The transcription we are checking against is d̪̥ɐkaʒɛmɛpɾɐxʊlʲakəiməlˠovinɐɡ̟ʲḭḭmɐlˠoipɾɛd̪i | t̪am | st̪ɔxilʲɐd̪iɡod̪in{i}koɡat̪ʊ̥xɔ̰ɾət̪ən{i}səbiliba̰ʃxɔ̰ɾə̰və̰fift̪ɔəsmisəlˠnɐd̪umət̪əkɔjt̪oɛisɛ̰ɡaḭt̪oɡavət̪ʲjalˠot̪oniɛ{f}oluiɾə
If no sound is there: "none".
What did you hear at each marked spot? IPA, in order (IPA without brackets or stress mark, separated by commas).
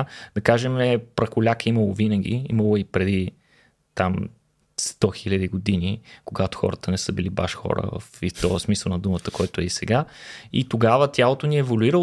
i, ɛ, v